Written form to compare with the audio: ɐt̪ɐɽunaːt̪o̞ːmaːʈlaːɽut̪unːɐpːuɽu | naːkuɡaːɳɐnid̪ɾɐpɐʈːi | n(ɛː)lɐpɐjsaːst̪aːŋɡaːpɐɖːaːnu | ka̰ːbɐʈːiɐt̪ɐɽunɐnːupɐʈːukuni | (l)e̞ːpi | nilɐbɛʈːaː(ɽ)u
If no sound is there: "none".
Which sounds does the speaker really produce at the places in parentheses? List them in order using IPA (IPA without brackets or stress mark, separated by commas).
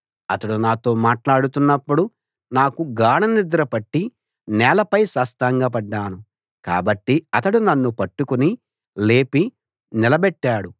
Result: ɛː, l, ɽ